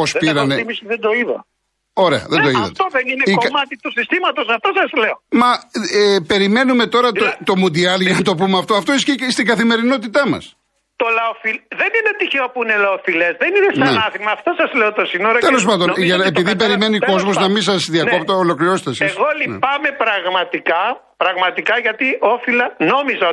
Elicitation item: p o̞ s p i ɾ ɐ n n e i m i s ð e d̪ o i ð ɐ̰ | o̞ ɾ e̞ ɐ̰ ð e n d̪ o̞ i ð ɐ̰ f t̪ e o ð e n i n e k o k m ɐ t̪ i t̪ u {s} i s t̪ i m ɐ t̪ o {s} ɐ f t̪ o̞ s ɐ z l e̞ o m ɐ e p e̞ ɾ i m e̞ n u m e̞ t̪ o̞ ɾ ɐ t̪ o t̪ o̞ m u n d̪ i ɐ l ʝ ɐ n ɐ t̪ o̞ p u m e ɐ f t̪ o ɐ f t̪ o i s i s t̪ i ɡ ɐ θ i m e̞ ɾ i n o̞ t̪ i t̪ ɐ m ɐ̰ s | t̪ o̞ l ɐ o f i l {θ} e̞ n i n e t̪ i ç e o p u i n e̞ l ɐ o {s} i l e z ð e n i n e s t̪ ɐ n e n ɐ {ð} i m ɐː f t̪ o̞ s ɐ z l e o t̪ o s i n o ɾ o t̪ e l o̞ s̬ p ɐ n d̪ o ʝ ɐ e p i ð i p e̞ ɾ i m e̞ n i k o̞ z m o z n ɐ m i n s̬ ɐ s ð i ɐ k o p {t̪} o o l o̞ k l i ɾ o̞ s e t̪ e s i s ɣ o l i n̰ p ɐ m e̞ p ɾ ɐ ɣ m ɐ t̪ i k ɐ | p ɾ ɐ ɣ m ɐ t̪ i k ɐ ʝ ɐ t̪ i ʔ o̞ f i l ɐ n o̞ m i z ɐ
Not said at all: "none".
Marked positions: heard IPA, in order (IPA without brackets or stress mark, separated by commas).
s, s, ð, f, θ, t̪